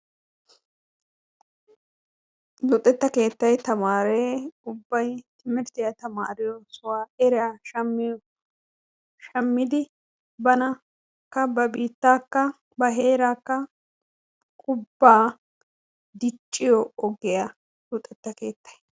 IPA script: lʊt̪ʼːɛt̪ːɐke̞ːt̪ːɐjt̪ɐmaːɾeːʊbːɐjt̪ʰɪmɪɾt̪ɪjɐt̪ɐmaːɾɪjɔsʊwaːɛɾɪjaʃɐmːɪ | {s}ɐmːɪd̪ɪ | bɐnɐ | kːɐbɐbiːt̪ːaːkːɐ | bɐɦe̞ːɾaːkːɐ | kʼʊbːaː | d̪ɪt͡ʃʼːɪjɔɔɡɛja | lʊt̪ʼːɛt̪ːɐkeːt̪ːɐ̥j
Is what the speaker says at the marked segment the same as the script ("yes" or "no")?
no